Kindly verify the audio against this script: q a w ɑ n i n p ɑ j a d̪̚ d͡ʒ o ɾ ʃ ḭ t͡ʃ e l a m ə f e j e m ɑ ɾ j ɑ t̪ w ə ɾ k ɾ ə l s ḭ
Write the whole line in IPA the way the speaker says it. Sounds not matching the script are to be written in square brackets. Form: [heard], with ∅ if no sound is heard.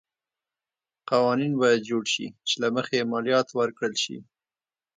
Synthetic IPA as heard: q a w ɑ n i n [b] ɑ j a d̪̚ d͡ʒ o [ɽ] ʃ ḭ t͡ʃ e l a m ə [x] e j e m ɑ [l] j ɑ t̪ w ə ɾ k [ɽ] ə l [ʃ] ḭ